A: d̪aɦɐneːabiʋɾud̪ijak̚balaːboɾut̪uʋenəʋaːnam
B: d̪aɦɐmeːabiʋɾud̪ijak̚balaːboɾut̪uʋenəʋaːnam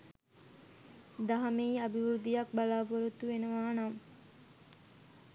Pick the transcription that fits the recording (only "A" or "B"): B